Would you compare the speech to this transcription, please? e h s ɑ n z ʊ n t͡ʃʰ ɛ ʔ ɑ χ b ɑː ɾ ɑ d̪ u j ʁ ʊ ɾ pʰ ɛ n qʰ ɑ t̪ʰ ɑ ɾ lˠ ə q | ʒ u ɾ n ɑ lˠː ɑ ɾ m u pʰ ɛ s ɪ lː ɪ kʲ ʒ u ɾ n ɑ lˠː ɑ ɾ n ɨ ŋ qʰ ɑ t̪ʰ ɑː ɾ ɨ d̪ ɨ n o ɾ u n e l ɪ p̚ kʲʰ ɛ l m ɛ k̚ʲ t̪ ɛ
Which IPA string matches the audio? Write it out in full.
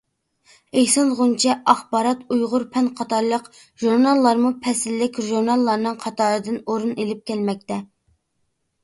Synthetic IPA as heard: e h s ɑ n ʁ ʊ n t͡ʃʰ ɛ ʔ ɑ χ b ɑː ɾ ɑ t̪ u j ʁ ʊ ɾ pʰ ɛ n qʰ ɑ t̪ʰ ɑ ɾ lˠ ə q | ʒ u ɾ n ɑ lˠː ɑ ɾ m u pʰ ɛ s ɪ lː ɪ kʲ ʒ u ɾ n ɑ lˠː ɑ ɾ n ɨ ŋ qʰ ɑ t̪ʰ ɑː ɾ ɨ d̪ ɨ n o ɾ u n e l ɪ p̚ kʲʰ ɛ l m ɛ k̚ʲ t̪ ɛ